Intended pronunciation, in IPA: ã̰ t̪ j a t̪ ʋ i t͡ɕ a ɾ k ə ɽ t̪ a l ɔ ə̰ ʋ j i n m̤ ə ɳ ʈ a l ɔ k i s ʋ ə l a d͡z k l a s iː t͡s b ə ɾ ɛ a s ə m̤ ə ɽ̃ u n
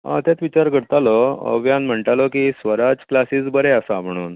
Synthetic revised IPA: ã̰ t̪ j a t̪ ʋ i t͡ɕ a ɾ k ə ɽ t̪ a l ɔ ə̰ ʋ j a n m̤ ə ɳ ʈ a l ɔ k i s ʋ ə ɾ a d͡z k l a s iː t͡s b ə ɾ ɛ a s a m̤ ə ɽ̃ uː n